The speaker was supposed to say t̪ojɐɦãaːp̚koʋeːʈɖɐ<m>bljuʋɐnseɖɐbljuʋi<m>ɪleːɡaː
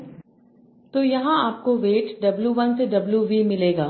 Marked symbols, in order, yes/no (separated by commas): no, yes